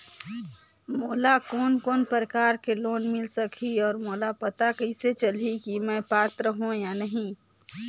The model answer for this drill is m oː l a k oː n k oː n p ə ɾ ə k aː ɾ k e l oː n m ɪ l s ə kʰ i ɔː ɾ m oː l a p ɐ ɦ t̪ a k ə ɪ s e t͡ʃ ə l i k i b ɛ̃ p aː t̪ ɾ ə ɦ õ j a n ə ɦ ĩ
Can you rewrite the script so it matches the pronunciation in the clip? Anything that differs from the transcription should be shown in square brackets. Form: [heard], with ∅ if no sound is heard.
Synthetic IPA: m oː l a k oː n k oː n p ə ɾ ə k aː ɾ k e l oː n m ɪ l s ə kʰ i ɔː ɾ m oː l a p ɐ [∅] t̪ a k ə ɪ s e t͡ʃ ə l i k i [m] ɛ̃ p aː t̪ ɾ ə ɦ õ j a n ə ɦ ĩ

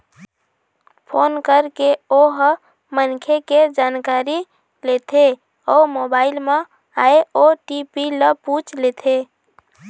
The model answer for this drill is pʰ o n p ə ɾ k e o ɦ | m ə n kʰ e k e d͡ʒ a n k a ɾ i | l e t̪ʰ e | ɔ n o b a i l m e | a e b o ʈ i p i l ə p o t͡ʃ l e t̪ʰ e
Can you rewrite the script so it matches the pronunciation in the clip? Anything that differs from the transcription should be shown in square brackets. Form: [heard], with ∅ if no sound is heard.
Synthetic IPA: pʰ o n [k] ə ɾ k e o ɦ | m ə n kʰ e k e d͡ʒ a n k a ɾ i | l e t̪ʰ e | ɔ [m] o b a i l m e | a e [∅] o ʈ i p i l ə p [u] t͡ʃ l e t̪ʰ e

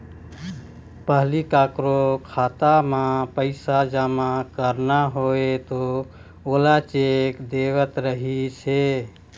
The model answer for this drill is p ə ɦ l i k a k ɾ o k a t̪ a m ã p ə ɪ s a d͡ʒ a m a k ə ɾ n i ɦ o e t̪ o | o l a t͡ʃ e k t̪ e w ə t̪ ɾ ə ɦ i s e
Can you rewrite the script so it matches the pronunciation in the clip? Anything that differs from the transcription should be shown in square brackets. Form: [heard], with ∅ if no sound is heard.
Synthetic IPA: p ə ɦ l i k a k ɾ o [kʰ] a t̪ a m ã p ə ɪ s a d͡ʒ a m a k ə ɾ n [a] ɦ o e t̪ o | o l a t͡ʃ e k [d̪] e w ə t̪ ɾ ə ɦ i s e

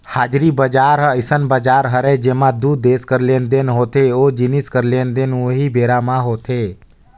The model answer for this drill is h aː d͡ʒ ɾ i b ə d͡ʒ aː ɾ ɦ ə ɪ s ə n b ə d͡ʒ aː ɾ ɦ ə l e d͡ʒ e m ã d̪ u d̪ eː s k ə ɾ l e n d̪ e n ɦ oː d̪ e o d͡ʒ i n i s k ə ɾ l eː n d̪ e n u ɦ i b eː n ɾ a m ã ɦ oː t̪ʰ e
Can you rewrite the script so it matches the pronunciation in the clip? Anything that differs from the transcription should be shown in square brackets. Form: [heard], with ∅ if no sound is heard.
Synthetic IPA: h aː d͡ʒ ɾ i b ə d͡ʒ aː ɾ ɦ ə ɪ s ə n b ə d͡ʒ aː ɾ ɦ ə [ɾ] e d͡ʒ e m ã d̪ u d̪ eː s k ə ɾ l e n d̪ e n ɦ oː [t̪] e o d͡ʒ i n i s k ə ɾ l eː n d̪ e n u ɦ i b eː [∅] ɾ a m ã ɦ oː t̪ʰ e

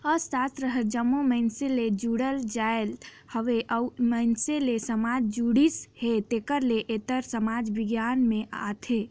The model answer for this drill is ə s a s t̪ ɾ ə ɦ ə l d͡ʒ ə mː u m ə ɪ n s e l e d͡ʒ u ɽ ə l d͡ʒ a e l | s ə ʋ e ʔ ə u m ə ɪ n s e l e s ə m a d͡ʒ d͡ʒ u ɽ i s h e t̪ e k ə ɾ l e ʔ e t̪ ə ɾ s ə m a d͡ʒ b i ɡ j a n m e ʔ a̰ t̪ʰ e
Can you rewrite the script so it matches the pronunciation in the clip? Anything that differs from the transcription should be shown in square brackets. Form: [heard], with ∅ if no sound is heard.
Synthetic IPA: ə s a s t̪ ɾ ə ɦ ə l d͡ʒ ə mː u m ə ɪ n s e l e d͡ʒ u ɽ ə l d͡ʒ a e l | [h] ə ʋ e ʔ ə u m ə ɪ n s e l e s ə m a d͡ʒ d͡ʒ u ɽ i s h e t̪ e k ə ɾ l e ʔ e t̪ ə ɾ s ə m a d͡ʒ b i ɡ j a n m e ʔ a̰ t̪ʰ e

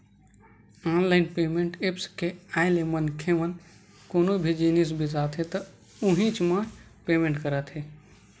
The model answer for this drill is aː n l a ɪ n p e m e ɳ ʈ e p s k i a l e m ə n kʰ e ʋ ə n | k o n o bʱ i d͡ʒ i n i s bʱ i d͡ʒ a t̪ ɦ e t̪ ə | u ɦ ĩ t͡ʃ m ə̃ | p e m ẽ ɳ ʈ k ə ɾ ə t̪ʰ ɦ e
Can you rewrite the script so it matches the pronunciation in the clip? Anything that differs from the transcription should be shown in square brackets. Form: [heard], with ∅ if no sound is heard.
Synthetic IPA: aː n l a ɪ n p e m e ɳ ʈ e p s k [e] a l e m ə n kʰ e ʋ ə n | k o n o bʱ i d͡ʒ i n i s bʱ i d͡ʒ a t̪ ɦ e t̪ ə | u ɦ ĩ t͡ʃ m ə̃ | p e m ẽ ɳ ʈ k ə ɾ ə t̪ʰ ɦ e

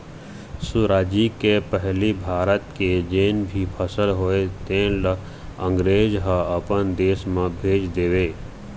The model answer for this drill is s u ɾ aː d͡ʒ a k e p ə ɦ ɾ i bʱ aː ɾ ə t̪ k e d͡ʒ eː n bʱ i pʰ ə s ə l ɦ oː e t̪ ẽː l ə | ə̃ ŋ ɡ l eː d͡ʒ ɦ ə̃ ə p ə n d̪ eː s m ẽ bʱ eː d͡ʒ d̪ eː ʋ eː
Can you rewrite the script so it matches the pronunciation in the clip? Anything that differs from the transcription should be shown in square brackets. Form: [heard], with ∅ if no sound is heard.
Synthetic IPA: s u ɾ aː d͡ʒ [i] k e p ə ɦ [l] i bʱ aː ɾ ə t̪ k e d͡ʒ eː n bʱ i pʰ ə s ə l ɦ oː e t̪ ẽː l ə | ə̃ ŋ ɡ [ɾ] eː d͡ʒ ɦ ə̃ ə p ə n d̪ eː s m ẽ bʱ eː d͡ʒ d̪ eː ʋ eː

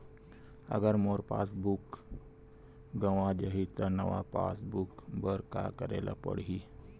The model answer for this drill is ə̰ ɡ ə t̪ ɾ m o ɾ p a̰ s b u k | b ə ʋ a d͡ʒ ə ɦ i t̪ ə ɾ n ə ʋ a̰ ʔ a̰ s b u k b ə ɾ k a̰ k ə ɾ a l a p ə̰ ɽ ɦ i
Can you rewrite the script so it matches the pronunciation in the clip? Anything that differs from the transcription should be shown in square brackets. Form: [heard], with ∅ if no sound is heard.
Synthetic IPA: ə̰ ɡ ə [∅] ɾ m o ɾ p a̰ s b u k | [ɡ] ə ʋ a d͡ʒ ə ɦ i t̪ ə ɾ n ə ʋ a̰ [p] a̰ s b u k b ə ɾ k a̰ k ə ɾ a l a p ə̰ ɽ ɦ i

